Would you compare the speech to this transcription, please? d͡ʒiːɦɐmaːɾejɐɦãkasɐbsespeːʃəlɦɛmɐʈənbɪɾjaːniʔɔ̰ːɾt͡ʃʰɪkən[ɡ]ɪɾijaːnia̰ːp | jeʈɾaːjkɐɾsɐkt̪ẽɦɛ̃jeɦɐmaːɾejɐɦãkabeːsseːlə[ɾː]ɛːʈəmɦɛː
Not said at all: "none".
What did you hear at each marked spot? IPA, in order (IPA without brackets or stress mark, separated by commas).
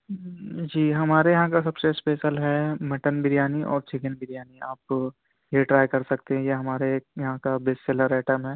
b, ɾ